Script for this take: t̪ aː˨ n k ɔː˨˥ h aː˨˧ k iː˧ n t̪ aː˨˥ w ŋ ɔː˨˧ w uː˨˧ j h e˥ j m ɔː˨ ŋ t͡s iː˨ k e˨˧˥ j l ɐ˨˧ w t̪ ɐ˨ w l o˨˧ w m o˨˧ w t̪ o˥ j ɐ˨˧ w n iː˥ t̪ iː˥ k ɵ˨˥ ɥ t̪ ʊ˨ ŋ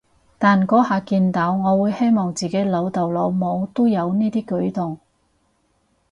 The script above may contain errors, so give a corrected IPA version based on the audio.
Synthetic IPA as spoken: t̪ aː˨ n k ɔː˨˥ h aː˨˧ k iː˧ n t̪ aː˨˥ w ŋ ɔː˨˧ w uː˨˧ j h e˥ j m ɔː˨ ŋ t͡s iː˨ k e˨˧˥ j l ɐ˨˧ w t̪ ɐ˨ w l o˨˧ w m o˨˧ w t̪ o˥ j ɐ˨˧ w n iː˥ t̪ iː˥ k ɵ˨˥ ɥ t̪ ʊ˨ ŋ